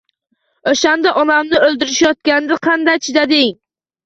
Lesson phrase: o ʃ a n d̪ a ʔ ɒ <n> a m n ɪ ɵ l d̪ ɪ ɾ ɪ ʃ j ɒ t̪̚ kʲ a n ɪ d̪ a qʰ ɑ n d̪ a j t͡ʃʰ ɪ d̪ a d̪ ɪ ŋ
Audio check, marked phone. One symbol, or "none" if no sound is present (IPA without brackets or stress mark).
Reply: n